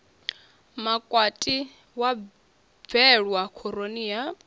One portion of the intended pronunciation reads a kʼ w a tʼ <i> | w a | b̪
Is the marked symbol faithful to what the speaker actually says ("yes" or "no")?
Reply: yes